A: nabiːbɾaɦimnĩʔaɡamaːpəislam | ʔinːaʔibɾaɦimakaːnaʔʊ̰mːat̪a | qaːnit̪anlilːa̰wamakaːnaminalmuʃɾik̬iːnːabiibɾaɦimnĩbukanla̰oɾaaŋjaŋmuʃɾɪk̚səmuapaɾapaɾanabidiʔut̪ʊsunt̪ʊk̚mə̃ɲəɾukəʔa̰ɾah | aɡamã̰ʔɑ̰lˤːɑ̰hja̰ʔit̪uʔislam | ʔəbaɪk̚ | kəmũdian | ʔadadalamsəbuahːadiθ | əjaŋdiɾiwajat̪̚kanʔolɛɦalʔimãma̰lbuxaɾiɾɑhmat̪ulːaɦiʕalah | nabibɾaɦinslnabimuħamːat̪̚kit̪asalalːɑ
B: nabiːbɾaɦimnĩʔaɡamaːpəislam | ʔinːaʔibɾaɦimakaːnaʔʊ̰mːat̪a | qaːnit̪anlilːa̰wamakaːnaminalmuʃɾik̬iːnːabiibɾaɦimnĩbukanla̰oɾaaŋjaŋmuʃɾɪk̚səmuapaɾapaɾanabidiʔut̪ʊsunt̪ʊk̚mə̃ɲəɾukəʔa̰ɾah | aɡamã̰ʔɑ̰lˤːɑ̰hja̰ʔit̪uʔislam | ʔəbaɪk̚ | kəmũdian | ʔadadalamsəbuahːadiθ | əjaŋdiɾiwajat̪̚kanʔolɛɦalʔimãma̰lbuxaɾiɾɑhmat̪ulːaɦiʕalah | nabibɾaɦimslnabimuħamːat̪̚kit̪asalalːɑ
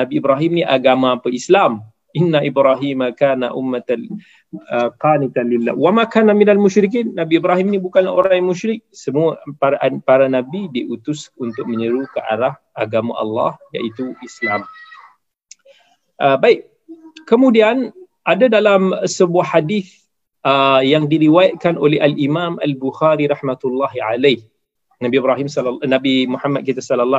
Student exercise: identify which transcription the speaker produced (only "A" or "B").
B